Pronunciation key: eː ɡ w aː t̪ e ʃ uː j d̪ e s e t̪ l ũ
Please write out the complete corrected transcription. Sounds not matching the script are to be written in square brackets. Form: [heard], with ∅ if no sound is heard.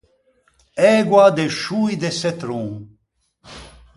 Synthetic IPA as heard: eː ɡ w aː [d̪] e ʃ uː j d̪ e s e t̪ [ɾ] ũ